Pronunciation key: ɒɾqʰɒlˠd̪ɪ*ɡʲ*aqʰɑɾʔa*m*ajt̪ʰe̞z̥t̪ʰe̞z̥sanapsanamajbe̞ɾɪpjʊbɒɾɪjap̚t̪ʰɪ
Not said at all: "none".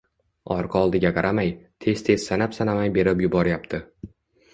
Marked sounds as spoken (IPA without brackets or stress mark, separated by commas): ɡʲ, m